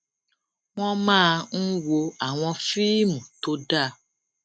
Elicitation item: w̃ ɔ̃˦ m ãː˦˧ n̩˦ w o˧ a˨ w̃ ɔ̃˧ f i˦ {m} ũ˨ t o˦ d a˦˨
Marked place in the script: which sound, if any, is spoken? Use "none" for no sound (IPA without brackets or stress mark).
m